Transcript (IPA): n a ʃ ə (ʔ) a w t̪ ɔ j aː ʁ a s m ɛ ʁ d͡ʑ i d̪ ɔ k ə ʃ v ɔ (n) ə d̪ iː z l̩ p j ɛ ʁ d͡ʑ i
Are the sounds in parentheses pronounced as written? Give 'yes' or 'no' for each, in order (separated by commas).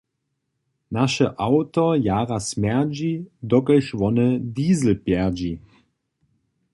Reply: yes, yes